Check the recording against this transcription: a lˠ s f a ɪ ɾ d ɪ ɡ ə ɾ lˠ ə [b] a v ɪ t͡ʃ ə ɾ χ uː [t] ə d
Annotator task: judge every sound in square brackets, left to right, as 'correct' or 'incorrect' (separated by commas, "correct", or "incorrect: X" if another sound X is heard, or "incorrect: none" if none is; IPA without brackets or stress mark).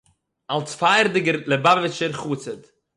correct, incorrect: t͡s